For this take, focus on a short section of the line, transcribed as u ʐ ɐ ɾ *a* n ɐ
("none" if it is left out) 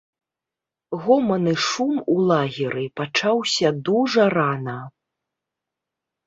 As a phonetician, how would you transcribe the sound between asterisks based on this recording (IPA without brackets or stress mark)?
a